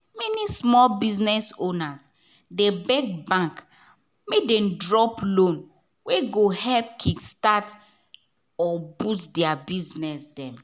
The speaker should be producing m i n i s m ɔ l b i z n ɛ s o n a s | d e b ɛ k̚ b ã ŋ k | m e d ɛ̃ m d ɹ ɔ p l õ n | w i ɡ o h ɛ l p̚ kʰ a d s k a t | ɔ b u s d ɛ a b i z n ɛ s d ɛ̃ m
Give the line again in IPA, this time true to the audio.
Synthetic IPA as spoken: m ɛ n i s m ɔ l b i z n ɛ s o n a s | d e b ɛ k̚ b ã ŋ k | m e d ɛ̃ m d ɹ ɔ p l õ n | w e ɡ o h ɛ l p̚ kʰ i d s t a t | ɔ b u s d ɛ a b i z n ɛ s d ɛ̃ m